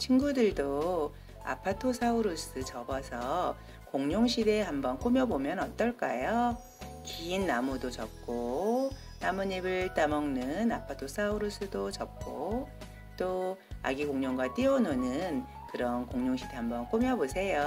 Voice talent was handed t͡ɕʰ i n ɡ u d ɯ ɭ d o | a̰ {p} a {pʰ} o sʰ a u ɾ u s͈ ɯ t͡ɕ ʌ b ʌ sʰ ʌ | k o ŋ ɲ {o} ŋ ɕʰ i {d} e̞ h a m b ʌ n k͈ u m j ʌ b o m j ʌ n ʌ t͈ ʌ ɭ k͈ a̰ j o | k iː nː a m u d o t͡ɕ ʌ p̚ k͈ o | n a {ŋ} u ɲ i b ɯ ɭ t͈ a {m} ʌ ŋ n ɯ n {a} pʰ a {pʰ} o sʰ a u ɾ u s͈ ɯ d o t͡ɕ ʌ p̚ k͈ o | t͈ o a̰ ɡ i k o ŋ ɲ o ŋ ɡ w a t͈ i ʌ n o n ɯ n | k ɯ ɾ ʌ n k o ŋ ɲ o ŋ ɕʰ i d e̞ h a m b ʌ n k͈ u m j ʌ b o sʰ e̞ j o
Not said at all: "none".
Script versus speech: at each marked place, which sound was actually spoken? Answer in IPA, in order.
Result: pʰ, tʰ, o, d, m, m, a, tʰ

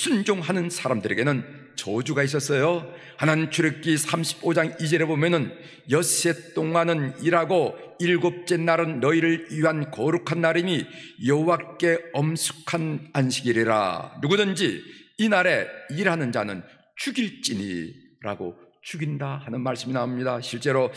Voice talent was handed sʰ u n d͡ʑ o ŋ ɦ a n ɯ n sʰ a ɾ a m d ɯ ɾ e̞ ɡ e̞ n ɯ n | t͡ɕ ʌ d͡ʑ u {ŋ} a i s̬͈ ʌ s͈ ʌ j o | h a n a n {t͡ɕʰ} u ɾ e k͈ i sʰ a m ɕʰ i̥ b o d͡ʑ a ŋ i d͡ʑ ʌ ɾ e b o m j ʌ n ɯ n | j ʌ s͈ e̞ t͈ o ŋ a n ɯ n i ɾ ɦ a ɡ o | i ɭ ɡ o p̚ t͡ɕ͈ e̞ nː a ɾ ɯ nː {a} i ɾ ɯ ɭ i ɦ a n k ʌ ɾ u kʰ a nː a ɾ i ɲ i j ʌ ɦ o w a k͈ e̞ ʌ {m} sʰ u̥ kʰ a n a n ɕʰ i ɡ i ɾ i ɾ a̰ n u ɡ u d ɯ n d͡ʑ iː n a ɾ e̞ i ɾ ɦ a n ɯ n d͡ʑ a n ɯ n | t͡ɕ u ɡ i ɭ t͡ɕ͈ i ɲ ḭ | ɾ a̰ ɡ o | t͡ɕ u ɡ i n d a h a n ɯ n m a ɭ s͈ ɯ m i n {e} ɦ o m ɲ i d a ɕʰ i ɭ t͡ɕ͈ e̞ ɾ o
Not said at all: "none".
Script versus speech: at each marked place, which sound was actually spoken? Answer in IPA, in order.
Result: ɡ, t͡ɕʰ, ʌ, m, a

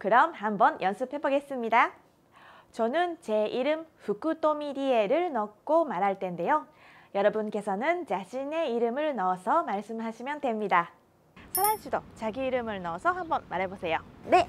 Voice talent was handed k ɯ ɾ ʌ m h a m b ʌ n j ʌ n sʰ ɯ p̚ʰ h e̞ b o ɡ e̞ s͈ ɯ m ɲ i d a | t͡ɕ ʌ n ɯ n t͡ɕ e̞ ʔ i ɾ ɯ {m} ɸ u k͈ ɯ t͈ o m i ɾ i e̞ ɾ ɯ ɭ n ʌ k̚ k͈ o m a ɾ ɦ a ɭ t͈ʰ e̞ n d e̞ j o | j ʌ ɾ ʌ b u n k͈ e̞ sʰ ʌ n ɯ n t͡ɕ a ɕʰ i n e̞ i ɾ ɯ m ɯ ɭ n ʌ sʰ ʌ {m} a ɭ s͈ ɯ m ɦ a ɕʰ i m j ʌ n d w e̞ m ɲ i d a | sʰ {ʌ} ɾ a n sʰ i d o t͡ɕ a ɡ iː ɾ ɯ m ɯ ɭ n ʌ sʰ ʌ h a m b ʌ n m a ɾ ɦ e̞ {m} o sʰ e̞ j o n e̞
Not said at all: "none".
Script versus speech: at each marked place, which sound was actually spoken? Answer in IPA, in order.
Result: m, m, a, b

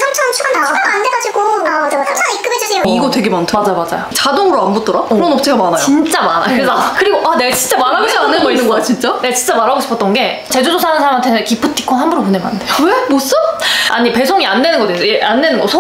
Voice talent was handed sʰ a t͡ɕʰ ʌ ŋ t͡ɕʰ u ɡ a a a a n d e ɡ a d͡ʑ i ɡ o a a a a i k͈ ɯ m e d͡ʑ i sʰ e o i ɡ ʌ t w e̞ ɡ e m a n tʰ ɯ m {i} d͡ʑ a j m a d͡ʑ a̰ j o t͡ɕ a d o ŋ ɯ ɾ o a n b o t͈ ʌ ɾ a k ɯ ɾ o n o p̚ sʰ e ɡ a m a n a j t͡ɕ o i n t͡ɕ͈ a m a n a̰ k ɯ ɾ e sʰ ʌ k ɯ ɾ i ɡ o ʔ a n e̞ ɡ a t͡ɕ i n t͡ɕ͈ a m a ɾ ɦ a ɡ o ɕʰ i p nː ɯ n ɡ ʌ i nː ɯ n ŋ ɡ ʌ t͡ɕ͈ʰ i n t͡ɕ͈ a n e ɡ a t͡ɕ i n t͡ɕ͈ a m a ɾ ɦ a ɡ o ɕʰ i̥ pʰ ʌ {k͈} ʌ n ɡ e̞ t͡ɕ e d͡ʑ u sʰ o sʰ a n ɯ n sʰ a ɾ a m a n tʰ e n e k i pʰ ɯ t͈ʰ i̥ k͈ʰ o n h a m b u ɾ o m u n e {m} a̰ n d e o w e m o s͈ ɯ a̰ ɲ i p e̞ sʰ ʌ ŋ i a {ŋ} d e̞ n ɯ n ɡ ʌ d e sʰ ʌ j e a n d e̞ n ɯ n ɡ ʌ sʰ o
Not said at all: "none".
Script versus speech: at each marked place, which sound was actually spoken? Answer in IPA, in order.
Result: a, t͈, m, n

